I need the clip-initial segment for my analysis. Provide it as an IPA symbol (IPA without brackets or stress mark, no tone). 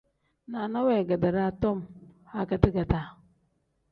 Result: n